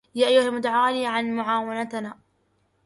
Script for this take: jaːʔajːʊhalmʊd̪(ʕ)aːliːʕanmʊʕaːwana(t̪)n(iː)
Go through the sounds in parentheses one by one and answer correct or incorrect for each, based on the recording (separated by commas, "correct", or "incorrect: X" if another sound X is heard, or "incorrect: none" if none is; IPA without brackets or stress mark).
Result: correct, correct, incorrect: aː